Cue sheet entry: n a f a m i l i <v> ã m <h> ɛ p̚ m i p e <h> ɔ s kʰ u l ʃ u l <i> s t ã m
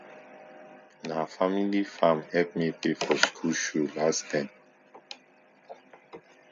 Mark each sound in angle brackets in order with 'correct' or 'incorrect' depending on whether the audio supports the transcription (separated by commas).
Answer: incorrect, correct, incorrect, incorrect